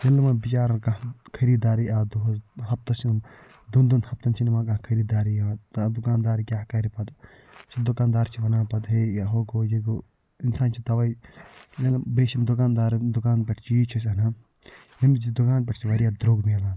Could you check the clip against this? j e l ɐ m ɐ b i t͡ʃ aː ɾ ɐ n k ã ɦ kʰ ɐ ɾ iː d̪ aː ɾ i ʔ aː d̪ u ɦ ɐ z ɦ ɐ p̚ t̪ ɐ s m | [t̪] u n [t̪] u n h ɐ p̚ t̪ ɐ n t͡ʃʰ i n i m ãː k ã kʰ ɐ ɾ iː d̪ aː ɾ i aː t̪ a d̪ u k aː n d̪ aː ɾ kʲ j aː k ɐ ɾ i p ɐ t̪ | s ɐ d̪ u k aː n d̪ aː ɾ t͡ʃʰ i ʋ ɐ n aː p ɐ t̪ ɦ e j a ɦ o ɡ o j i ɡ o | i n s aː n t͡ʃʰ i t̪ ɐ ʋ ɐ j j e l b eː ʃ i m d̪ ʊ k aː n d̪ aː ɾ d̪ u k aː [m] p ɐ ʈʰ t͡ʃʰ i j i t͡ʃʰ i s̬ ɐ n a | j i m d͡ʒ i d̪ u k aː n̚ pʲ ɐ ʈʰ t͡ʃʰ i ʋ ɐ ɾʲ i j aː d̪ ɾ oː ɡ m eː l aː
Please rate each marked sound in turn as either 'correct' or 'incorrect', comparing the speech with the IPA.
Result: incorrect, incorrect, incorrect

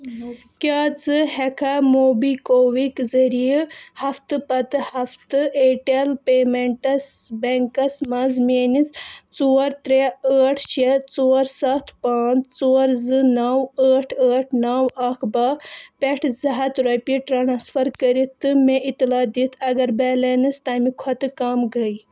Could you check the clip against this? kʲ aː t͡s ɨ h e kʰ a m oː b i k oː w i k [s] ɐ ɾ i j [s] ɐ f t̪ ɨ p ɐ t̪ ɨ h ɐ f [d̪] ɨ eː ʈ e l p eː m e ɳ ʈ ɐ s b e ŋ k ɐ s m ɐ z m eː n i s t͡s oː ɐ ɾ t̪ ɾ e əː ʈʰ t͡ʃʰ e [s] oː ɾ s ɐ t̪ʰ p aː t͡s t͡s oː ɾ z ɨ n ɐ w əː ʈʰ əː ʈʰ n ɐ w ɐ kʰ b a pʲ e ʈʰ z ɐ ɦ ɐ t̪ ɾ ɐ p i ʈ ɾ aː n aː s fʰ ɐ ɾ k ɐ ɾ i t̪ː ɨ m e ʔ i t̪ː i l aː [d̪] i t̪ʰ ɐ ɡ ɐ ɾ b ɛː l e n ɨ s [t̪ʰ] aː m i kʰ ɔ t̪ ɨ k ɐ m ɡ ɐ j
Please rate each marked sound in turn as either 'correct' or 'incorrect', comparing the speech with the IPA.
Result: incorrect, incorrect, incorrect, incorrect, correct, incorrect

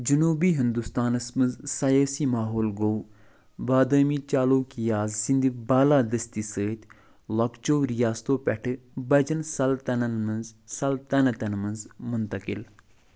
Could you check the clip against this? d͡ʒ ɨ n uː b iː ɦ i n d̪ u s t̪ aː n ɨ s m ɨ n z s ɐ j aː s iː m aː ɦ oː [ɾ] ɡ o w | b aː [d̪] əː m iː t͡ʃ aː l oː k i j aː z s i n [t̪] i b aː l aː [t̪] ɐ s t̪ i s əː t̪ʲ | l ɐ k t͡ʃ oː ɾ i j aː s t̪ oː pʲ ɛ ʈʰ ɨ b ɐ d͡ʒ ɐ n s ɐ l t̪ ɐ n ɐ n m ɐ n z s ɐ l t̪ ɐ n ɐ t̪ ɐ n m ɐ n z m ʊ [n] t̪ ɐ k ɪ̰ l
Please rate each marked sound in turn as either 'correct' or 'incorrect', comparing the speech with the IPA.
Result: incorrect, correct, incorrect, incorrect, correct

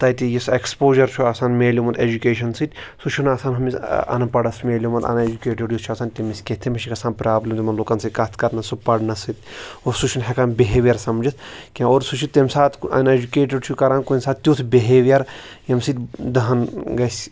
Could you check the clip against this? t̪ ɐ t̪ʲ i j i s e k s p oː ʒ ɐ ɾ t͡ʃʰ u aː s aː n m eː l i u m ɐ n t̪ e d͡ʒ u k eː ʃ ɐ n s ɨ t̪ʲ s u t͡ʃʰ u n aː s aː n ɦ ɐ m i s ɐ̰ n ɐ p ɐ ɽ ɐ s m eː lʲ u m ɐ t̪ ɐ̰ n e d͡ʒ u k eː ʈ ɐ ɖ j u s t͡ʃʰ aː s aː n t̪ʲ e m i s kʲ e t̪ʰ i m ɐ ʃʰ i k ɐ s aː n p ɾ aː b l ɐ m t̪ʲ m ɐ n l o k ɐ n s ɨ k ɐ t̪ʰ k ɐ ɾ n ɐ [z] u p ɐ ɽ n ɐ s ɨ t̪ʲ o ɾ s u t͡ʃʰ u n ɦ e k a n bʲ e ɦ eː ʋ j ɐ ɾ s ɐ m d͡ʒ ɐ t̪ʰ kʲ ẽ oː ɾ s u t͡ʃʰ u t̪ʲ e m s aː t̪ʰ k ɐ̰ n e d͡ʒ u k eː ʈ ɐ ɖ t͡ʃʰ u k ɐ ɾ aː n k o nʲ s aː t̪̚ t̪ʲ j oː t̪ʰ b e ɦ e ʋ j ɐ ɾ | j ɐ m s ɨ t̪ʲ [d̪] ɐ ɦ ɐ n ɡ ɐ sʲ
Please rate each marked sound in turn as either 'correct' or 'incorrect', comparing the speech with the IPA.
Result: incorrect, correct

